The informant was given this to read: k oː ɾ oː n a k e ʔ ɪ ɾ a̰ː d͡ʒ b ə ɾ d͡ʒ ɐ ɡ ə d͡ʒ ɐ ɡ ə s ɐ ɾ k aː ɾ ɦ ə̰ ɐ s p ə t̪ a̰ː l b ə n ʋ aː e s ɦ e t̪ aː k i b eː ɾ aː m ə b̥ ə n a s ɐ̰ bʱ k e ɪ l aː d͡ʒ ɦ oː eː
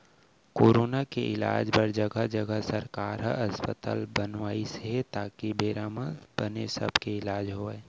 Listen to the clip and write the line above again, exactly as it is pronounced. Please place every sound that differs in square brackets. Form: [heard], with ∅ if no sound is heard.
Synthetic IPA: k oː ɾ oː n a k e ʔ ɪ [l] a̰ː d͡ʒ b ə ɾ d͡ʒ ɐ ɡ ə d͡ʒ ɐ ɡ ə s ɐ ɾ k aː ɾ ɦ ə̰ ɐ s p ə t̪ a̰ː l b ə n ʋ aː [i] s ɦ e t̪ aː k i b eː ɾ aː m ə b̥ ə n [e] s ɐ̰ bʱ k e ɪ l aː d͡ʒ ɦ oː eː